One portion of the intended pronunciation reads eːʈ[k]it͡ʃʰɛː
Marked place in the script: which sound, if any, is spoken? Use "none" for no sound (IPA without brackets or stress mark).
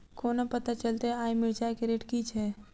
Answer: k